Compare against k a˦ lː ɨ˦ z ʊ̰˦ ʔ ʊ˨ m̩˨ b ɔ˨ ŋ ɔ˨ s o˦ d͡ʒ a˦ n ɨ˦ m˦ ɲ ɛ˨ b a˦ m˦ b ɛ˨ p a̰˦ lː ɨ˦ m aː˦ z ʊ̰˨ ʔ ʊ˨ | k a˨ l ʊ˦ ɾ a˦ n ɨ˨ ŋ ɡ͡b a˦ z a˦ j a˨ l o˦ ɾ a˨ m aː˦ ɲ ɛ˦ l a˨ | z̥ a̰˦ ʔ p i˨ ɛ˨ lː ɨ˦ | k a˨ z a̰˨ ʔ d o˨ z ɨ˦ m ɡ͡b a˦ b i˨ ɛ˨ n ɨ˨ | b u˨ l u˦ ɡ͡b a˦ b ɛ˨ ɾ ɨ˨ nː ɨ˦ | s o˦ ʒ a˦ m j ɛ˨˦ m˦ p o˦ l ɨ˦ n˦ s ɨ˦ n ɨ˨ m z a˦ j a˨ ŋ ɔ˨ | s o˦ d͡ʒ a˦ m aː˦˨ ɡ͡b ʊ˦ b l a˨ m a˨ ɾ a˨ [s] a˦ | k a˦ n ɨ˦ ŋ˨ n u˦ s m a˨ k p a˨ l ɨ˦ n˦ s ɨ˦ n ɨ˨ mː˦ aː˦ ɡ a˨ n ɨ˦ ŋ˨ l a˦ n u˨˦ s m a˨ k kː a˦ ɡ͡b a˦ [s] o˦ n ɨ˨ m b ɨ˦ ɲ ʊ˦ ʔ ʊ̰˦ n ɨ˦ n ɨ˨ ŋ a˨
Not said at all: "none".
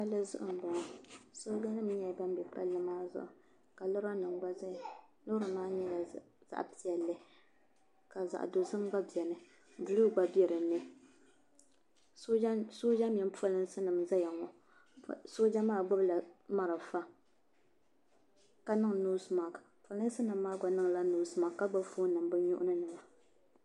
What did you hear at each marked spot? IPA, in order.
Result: f, f

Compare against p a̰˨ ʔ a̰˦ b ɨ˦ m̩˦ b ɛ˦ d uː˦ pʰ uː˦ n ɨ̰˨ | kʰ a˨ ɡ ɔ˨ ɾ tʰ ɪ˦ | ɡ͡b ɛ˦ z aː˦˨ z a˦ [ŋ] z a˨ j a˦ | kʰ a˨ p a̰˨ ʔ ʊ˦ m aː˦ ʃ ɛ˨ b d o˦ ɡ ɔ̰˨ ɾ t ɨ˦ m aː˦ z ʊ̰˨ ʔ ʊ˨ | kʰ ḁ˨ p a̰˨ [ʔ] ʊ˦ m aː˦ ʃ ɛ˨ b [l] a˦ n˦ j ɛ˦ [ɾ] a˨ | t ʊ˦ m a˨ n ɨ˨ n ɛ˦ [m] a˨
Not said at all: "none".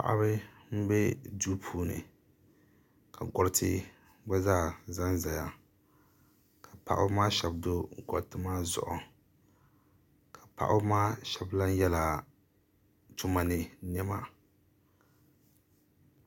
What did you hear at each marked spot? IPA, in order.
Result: n, ʔ, l, l, m

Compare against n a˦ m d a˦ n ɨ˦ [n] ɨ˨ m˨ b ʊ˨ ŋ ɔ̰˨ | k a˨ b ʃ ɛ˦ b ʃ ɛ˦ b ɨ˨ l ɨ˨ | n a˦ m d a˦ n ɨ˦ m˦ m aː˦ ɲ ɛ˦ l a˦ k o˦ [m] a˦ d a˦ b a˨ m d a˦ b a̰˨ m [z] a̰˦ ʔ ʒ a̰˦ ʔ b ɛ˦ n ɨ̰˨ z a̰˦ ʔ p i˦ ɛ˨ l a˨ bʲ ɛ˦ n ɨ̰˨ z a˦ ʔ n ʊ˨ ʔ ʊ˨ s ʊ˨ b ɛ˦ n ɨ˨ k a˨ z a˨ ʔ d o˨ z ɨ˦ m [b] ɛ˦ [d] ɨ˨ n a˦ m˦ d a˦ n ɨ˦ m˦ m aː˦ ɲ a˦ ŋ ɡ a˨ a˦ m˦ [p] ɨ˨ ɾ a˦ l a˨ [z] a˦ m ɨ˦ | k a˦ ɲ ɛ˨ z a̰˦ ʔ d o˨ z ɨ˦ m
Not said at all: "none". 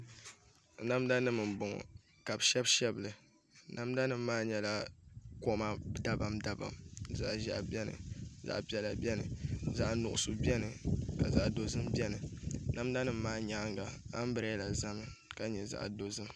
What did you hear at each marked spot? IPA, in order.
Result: m, m, z, b, n, b, z

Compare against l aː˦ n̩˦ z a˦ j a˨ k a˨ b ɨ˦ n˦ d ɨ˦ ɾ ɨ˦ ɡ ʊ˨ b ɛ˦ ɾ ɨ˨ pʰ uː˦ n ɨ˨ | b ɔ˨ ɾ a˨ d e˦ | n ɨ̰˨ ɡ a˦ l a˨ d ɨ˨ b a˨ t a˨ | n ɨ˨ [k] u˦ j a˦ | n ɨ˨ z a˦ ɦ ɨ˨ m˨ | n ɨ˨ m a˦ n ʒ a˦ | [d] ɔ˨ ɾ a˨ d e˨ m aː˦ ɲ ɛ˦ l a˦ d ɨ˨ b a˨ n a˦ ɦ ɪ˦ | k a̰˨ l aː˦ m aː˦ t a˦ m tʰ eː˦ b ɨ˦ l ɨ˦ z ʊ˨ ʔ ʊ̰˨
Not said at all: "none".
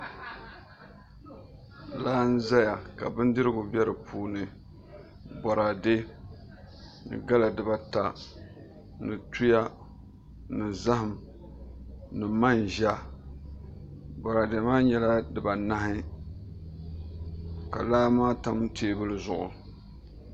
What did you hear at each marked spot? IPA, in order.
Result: t, b

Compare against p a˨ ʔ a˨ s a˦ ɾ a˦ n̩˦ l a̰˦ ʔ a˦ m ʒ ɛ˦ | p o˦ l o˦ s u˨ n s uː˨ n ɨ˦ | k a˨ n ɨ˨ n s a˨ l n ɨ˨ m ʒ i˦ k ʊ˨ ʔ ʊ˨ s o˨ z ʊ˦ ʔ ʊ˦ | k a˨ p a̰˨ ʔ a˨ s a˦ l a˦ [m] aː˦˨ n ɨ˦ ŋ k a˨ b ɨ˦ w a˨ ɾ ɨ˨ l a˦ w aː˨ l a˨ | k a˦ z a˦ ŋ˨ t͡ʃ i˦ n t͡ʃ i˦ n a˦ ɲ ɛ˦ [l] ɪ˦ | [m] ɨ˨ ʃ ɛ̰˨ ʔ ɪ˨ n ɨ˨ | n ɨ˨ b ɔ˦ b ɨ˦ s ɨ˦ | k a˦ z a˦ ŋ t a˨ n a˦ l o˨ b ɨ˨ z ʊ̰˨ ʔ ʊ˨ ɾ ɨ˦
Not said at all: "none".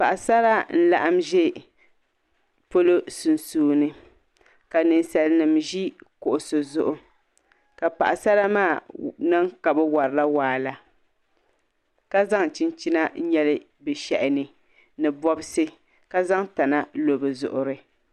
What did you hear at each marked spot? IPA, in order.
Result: m, l, b

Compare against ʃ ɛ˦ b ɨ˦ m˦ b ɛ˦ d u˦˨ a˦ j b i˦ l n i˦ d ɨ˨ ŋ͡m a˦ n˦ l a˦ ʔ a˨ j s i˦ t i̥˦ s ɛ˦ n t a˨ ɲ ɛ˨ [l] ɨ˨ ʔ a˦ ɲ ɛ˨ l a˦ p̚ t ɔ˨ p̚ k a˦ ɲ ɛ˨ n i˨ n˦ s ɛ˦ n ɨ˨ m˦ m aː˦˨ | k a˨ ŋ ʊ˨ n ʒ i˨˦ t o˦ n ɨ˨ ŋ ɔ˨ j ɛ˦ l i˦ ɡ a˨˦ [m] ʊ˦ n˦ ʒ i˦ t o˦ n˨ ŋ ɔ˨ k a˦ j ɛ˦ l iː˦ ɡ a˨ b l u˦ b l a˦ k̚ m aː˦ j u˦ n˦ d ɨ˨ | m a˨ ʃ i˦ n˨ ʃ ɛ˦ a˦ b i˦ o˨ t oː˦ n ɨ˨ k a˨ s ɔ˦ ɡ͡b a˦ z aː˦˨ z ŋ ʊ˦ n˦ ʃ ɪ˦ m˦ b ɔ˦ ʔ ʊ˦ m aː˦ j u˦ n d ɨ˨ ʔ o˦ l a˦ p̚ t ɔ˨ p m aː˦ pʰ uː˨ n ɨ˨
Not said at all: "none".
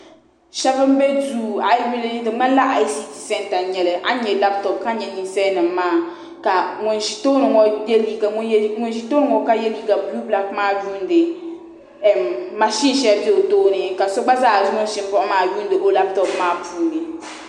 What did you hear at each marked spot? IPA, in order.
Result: l, ŋ

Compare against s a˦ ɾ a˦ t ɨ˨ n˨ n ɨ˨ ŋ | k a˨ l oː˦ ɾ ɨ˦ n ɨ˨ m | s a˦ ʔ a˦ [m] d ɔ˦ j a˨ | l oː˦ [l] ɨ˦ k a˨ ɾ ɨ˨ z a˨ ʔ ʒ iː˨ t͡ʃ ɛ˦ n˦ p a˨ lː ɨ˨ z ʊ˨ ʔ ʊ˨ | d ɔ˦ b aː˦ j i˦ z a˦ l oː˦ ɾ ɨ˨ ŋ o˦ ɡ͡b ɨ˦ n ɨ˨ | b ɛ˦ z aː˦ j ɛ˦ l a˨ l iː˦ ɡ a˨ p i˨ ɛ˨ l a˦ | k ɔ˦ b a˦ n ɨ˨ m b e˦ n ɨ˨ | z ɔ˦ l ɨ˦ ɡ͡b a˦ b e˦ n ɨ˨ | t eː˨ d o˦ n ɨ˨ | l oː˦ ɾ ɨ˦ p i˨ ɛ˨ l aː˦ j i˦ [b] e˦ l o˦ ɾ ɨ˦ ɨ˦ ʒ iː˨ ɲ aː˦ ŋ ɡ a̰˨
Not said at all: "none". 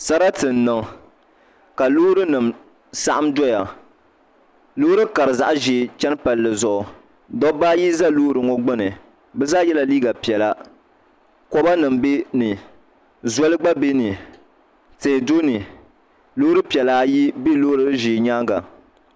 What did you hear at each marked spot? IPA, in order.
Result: m, ɾ, b

